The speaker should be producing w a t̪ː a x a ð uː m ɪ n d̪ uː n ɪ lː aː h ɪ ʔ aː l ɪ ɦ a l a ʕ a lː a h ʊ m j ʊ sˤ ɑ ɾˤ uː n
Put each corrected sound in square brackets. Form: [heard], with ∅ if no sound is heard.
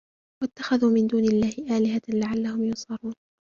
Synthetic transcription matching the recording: w a t̪ː a x a ð uː m ɪ n d̪ uː n ɪ lː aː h ɪ ʔ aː l ɪ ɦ a l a ʕ a lː a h ʊ m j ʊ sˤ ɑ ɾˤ uː n